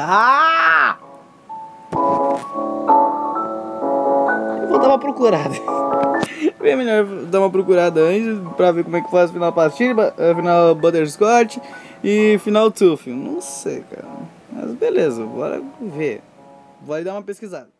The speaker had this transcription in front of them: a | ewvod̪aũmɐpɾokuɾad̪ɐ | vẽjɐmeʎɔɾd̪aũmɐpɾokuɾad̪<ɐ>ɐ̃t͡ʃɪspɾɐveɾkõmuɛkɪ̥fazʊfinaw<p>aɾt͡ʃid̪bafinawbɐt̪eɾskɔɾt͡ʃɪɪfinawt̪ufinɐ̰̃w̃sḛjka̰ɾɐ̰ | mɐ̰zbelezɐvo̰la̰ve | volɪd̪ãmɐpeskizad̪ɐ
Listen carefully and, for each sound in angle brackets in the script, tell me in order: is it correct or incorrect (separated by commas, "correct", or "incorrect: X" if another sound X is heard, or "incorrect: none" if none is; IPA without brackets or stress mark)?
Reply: correct, correct